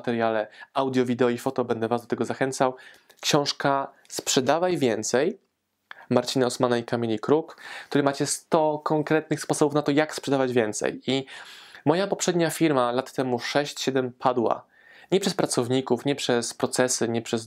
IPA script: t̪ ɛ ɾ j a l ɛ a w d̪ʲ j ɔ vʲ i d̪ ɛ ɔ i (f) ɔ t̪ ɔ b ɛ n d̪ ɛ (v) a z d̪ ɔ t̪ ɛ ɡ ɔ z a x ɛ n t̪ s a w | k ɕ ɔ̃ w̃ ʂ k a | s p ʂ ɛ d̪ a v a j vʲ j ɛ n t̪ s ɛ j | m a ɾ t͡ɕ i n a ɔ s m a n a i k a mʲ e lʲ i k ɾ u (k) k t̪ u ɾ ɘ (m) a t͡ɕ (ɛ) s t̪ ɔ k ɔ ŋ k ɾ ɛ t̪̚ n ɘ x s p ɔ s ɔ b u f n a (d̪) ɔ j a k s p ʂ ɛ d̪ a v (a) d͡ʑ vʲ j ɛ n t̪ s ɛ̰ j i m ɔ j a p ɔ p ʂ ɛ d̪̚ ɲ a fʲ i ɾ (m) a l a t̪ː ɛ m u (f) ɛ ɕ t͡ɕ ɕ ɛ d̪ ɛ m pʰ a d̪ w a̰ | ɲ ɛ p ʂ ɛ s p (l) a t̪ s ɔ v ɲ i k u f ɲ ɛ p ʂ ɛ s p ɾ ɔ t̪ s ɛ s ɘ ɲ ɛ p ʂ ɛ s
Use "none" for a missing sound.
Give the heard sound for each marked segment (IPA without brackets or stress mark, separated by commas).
f, v, k, m, ɛ, t̪, a, m, ʂ, ɾ